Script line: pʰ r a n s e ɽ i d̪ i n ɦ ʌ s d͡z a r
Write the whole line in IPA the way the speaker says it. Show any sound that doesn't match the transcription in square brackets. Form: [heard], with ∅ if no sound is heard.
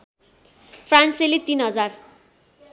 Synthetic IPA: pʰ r a n s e [l] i [t̪] i n ɦ ʌ [∅] d͡z a r

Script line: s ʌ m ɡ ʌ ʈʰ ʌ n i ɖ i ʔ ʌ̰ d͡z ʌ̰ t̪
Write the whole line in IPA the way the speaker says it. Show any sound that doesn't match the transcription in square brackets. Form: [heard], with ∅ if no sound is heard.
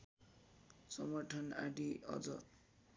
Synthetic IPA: s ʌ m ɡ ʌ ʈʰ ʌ n [a] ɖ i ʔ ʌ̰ d͡z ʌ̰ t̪

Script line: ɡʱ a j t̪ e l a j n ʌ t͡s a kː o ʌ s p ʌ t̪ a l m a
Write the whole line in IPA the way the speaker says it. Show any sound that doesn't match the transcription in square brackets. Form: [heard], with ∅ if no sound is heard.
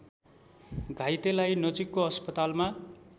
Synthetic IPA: ɡʱ a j t̪ e l a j n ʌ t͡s [i] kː o ʌ s p ʌ t̪ a l m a

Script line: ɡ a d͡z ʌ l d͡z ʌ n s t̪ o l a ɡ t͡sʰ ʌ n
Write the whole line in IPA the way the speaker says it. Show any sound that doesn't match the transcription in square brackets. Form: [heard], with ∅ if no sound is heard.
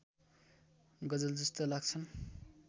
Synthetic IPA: ɡ [ʌ] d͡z ʌ l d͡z ʌ [∅] s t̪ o l a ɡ t͡sʰ ʌ n

